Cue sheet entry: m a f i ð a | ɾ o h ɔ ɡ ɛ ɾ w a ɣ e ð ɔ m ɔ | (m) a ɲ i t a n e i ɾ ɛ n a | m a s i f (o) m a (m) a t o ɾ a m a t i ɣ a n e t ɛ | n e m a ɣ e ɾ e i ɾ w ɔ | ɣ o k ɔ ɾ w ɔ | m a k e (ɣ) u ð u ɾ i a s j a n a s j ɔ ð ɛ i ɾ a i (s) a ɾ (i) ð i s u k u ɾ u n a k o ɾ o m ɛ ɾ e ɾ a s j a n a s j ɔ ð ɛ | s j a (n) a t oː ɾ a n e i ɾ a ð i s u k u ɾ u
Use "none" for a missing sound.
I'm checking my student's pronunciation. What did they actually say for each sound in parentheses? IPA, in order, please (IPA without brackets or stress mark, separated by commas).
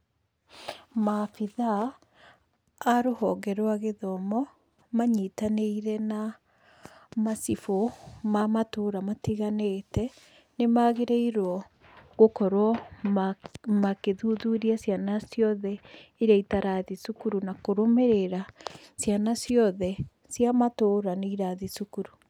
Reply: m, o, m, ð, t, a, m